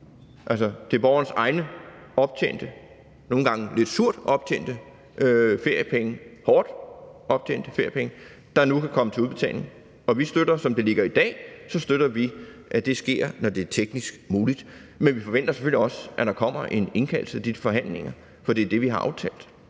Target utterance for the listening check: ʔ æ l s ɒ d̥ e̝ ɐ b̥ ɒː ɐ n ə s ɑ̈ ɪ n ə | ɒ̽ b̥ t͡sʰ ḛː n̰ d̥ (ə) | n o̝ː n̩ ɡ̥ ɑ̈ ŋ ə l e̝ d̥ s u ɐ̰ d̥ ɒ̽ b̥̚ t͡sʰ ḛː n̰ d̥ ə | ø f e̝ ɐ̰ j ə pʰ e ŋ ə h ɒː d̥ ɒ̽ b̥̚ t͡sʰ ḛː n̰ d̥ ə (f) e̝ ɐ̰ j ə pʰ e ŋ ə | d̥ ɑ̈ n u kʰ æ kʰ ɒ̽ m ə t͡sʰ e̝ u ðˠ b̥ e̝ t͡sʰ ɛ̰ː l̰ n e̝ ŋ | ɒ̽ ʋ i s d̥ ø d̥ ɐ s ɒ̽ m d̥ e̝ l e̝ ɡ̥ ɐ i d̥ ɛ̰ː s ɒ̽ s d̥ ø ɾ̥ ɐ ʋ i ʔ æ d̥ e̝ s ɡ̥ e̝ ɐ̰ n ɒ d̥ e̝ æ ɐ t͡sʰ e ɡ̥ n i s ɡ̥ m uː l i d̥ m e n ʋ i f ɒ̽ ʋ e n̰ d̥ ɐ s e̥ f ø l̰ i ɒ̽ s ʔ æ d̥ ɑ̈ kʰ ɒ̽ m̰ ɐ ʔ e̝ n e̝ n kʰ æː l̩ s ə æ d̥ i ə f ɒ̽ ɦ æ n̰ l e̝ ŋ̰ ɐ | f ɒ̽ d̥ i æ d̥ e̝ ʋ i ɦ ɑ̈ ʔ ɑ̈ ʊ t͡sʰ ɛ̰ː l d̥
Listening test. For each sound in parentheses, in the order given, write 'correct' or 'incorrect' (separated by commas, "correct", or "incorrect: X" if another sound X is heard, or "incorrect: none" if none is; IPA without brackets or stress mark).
correct, correct